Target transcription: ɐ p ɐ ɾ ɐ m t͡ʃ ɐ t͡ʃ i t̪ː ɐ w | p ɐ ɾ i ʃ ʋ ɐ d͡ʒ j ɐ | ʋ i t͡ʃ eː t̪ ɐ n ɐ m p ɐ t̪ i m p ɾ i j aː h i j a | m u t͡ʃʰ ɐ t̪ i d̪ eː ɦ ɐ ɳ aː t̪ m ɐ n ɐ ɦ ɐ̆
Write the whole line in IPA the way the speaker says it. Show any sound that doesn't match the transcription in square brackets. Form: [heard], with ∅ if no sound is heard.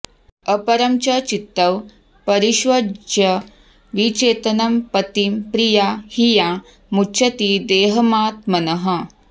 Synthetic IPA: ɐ p ɐ ɾ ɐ m t͡ʃ ɐ t͡ʃ i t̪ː ɐ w | p ɐ ɾ i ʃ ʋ ɐ d͡ʒ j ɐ | ʋ i t͡ʃ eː t̪ ɐ n ɐ m p ɐ t̪ i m p ɾ i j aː h i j a | m u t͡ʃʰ ɐ t̪ i d̪ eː ɦ ɐ [m] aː t̪ m ɐ n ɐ ɦ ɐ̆